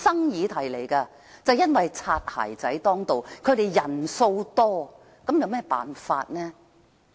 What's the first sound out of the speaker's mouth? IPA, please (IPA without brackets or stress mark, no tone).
s